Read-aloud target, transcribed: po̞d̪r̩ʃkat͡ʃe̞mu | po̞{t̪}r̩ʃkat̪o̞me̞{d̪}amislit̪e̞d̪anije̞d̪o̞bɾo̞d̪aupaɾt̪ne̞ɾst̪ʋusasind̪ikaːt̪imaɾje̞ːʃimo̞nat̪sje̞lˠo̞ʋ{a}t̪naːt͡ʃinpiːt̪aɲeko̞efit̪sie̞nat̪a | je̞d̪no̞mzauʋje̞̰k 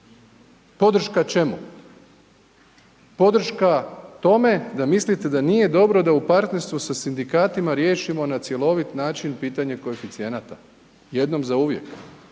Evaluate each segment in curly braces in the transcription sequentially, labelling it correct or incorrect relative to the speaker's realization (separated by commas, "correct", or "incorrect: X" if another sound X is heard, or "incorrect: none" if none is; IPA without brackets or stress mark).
incorrect: d̪, correct, incorrect: i